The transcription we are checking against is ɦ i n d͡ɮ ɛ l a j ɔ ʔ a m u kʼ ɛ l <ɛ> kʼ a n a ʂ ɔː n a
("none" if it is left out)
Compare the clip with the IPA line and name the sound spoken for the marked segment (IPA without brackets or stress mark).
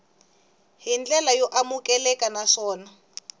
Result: ɛ